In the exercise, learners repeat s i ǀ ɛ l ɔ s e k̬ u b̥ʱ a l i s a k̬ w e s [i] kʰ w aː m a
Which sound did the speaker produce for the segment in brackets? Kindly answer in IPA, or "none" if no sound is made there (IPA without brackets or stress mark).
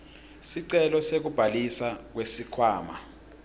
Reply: i